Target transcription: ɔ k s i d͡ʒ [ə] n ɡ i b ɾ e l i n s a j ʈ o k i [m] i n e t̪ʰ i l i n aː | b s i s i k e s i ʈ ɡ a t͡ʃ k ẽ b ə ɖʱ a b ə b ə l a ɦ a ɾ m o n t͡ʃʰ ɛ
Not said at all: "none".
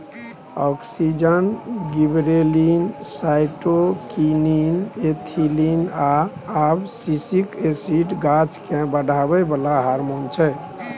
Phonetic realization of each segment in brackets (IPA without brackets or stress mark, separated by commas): ə, n